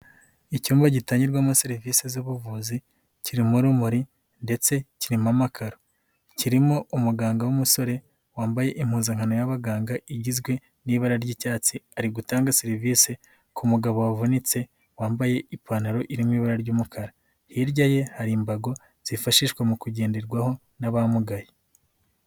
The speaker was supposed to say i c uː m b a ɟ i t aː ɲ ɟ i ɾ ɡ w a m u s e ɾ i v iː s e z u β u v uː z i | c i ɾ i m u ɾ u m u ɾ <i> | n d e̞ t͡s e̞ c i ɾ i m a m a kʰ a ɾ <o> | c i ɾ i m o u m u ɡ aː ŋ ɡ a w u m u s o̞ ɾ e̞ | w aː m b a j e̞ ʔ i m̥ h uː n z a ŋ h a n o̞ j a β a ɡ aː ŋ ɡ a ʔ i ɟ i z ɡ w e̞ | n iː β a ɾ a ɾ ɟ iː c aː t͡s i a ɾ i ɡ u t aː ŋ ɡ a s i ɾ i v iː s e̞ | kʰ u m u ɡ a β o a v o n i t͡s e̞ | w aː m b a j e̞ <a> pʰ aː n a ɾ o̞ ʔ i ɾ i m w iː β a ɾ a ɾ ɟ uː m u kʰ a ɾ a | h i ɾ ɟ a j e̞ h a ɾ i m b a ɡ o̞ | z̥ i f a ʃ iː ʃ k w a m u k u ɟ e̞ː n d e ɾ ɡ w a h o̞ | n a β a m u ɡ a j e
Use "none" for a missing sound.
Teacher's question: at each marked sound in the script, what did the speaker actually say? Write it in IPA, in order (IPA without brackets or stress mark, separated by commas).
i, o, i